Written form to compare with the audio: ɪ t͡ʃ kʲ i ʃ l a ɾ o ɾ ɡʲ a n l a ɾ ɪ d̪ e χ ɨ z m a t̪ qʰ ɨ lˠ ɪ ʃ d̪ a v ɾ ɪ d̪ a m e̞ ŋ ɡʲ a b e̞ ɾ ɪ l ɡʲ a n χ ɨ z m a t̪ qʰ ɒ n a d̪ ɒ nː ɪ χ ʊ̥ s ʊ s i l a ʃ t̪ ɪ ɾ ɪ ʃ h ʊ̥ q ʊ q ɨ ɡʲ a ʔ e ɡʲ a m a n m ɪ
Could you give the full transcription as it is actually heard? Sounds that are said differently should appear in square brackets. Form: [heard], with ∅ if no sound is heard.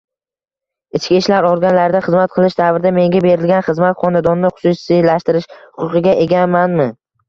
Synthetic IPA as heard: ɪ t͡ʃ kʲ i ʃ l a ɾ [ɒ] ɾ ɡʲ a n l a ɾ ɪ d̪ [a] χ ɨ z m a t̪ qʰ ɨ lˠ ɪ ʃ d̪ a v ɾ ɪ d̪ a m e̞ ŋ ɡʲ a b e̞ ɾ ɪ l ɡʲ a n χ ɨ z m a t̪ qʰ ɒ n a d̪ ɒ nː ɪ χ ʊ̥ s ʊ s i l a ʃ t̪ ɪ ɾ ɪ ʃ h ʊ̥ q ʊ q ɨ ɡʲ a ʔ e ɡʲ a m a n m ɪ